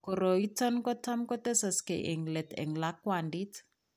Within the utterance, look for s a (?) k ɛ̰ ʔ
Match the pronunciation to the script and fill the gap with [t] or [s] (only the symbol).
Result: s